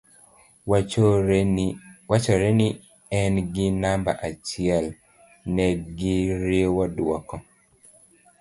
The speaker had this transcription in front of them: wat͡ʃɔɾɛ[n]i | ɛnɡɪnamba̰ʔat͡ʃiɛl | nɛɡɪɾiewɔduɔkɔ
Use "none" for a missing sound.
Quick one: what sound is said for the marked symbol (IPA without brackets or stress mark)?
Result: n